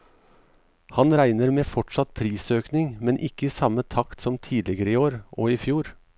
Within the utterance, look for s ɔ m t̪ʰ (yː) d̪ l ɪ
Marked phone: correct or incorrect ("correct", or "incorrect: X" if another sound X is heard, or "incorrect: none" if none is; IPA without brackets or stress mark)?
incorrect: iː